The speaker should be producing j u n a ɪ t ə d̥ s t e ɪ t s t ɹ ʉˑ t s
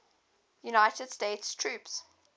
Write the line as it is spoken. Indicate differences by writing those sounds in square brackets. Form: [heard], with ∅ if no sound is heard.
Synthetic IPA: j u n a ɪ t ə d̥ s t e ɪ t s [tʰ] ɹ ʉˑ [p] s